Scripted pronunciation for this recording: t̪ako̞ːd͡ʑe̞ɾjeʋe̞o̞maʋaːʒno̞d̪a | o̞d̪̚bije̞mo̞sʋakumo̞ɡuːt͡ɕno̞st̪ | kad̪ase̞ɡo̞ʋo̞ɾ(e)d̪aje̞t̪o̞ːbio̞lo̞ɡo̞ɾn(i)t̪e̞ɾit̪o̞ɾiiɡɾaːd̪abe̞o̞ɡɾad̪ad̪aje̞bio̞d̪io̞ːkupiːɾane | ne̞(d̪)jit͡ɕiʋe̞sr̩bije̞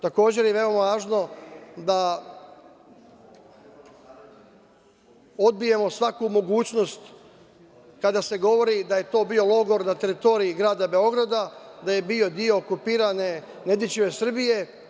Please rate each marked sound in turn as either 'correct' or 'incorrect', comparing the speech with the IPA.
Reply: incorrect: i, incorrect: a, correct

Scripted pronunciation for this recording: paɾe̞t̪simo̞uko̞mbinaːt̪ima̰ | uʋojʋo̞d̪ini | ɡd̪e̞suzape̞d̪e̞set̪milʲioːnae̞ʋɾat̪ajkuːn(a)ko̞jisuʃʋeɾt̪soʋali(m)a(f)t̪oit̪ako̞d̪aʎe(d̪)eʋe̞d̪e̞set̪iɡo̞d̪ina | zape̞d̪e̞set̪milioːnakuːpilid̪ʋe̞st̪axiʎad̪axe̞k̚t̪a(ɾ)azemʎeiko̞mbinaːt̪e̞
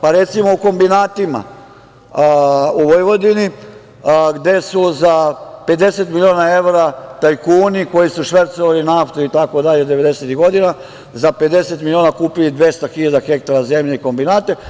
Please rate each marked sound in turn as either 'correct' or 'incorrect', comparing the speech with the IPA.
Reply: incorrect: i, incorrect: n, correct, correct, correct

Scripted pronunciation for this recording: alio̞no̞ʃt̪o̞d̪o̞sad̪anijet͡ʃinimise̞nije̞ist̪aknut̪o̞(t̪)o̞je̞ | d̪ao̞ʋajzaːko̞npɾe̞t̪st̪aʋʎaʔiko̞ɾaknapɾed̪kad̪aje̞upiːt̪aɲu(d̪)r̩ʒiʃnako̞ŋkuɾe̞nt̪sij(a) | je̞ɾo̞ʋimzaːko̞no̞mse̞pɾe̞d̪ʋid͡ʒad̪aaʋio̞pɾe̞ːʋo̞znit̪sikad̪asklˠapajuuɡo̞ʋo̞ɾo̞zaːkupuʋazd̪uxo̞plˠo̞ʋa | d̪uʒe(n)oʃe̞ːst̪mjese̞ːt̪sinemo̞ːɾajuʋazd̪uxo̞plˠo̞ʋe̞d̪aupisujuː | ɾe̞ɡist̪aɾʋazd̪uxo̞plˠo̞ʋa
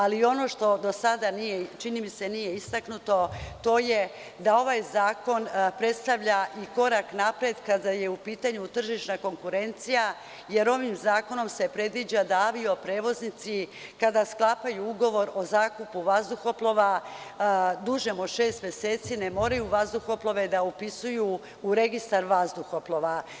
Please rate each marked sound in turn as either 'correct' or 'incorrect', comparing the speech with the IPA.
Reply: correct, incorrect: t̪, correct, incorrect: m

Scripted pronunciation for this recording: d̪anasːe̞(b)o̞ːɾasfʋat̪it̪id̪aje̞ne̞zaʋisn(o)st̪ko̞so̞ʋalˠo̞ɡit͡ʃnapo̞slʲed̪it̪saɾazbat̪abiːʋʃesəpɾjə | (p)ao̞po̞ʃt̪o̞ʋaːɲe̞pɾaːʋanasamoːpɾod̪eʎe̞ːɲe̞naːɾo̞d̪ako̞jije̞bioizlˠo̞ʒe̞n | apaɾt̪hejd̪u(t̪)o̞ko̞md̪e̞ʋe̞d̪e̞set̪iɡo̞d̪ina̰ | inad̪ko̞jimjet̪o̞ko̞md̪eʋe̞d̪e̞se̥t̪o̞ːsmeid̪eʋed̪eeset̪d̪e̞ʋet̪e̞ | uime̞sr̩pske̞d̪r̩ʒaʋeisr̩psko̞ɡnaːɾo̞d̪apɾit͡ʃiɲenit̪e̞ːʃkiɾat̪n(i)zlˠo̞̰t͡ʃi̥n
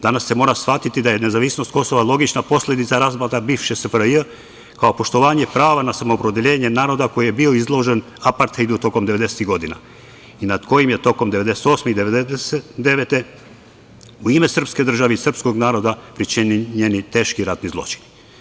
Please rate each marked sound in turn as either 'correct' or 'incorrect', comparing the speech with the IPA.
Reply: incorrect: m, correct, incorrect: k, correct, correct

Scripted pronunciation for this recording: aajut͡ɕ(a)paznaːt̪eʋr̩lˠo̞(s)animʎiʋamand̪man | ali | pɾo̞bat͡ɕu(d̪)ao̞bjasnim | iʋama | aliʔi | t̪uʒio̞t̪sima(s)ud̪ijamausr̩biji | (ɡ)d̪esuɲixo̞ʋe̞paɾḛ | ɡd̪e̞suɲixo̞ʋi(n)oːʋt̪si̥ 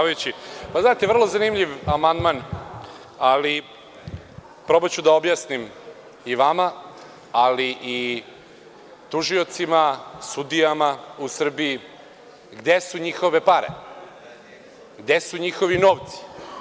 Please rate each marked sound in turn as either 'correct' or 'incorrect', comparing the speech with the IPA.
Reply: incorrect: i, incorrect: z, correct, correct, correct, correct

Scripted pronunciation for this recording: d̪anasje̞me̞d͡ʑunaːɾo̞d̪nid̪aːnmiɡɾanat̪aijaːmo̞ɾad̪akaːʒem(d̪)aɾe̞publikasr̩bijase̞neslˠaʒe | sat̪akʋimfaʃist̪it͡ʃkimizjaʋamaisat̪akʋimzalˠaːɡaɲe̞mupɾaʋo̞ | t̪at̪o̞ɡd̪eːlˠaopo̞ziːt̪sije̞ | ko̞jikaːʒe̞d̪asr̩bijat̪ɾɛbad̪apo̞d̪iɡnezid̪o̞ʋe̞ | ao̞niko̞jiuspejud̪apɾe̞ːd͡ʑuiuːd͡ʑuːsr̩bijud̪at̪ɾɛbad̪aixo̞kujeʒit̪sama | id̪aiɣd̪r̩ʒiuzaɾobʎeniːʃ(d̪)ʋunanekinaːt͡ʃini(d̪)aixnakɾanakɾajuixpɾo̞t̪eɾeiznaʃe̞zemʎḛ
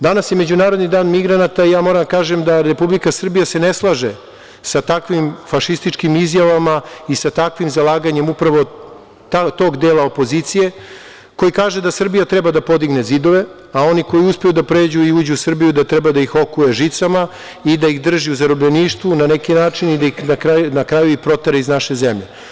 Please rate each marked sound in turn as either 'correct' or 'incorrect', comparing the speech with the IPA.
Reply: correct, incorrect: t̪, correct

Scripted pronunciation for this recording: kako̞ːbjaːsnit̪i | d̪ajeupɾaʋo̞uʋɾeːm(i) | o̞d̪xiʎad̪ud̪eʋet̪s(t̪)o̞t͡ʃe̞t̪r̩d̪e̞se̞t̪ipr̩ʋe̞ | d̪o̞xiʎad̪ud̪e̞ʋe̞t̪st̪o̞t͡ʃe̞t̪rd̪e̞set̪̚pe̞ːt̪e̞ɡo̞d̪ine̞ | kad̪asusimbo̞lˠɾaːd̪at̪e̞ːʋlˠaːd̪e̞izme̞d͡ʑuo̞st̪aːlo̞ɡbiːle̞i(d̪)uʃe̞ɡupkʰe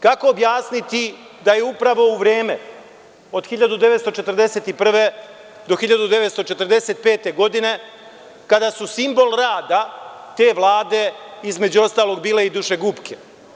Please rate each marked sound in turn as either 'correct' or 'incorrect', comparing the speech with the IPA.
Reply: incorrect: e, correct, correct

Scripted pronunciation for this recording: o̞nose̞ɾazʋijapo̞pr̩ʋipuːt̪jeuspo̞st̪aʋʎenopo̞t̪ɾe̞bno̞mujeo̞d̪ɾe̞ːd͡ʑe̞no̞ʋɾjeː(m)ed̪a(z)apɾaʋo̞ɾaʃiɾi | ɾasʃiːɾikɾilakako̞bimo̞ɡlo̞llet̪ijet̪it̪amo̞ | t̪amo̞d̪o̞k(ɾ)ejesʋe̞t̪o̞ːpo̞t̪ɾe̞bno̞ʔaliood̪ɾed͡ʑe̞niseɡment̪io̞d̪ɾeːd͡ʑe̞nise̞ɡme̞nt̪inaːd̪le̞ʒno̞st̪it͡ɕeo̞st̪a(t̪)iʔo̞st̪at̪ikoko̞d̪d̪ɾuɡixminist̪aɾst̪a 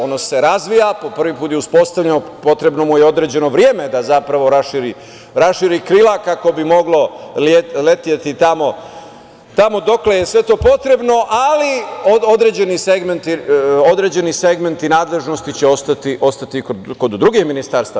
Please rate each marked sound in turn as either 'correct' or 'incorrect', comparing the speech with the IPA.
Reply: correct, correct, incorrect: l, correct

